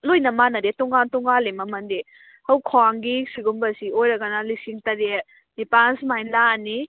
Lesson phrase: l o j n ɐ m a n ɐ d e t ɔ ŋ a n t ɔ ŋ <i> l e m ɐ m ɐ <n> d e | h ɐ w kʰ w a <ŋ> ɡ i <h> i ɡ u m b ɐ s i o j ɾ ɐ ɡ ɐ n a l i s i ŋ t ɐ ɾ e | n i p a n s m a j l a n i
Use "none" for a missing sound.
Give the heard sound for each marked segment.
a, n, ŋ, s

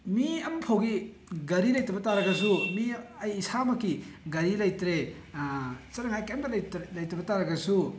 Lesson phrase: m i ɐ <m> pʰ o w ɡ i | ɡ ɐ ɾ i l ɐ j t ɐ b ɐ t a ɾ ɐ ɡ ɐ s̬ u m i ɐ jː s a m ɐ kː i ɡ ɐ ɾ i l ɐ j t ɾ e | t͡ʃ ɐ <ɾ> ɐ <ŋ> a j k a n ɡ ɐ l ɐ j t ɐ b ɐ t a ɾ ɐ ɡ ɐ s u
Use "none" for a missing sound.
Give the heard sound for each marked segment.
m, ɾ, ŋ

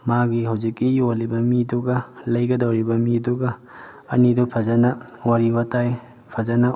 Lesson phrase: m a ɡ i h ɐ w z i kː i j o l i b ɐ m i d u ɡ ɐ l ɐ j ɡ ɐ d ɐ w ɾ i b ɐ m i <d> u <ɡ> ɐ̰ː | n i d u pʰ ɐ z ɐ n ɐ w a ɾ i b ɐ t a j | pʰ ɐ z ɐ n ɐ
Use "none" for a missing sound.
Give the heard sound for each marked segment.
d, ɡ

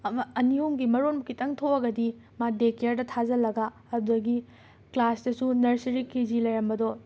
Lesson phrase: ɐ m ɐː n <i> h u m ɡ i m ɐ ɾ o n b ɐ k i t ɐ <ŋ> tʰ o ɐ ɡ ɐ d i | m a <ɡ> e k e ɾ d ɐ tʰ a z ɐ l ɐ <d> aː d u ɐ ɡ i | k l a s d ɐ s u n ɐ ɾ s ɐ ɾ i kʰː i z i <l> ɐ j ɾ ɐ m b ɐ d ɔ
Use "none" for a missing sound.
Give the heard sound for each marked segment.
i, ŋ, d, ɡ, l

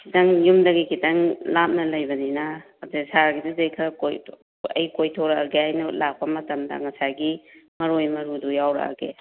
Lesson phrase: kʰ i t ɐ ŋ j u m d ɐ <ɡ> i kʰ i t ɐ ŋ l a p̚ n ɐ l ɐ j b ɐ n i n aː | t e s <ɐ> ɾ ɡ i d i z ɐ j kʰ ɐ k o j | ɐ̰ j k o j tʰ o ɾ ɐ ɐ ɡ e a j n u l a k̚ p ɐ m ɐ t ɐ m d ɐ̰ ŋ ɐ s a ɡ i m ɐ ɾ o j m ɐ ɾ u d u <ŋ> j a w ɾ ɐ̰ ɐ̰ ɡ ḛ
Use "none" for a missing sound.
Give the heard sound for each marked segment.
ɡ, a, none

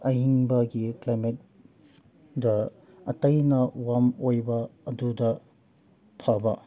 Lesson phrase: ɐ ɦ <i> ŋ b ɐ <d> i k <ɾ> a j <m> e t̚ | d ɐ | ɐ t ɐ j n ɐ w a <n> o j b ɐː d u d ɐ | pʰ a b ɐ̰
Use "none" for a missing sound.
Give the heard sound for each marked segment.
i, ɡ, l, m, m

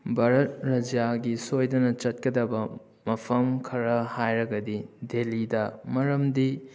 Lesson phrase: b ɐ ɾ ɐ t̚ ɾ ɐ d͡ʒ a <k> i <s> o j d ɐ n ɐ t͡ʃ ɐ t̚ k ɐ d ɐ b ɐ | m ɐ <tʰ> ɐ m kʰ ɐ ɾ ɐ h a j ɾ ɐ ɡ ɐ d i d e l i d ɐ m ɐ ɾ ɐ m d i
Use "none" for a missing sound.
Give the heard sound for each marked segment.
ɡ, s, pʰ

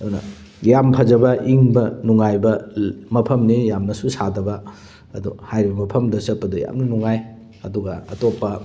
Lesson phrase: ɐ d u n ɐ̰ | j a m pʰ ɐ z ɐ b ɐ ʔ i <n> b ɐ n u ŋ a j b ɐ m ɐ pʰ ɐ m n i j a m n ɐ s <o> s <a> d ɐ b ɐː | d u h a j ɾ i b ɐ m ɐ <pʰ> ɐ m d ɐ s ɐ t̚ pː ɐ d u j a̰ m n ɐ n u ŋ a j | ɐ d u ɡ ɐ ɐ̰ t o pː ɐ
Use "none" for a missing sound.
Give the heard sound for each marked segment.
ŋ, u, a, pʰ

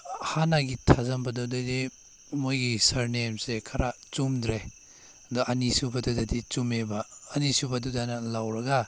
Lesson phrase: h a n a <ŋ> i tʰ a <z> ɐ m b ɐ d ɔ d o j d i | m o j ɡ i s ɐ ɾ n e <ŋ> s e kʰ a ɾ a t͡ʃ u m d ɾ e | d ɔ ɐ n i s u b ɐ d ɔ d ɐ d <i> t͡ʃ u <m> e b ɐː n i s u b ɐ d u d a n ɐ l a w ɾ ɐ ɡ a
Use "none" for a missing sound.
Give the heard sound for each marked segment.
ɡ, z, m, i, m

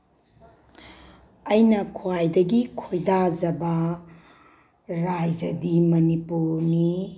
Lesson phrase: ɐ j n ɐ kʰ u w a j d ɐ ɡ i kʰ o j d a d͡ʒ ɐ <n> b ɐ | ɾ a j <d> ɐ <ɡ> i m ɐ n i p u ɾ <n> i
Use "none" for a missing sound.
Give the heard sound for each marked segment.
none, d͡ʒ, d, n

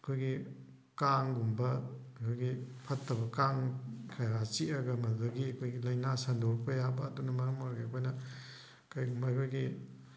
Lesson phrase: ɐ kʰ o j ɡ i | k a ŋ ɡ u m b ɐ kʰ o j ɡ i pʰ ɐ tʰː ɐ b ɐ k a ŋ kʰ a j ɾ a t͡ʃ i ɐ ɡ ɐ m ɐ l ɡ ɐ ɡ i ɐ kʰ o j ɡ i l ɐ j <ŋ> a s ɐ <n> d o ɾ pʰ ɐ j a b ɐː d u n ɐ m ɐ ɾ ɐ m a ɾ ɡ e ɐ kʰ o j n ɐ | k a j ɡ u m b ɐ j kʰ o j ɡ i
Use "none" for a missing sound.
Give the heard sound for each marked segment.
n, n

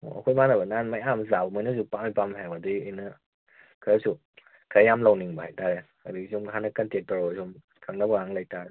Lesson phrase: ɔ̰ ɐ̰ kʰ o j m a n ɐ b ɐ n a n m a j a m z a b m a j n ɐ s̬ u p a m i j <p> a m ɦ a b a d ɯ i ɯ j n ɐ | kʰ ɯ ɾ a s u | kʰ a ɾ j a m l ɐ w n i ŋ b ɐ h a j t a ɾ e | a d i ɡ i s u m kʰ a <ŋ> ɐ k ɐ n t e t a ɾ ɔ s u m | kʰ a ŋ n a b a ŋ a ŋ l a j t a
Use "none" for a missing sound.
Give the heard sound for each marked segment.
p, n

